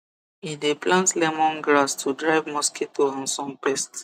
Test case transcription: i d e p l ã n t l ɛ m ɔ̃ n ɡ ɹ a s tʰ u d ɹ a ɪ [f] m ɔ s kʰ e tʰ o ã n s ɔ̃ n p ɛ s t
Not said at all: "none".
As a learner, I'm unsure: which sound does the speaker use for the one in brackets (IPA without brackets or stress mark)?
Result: v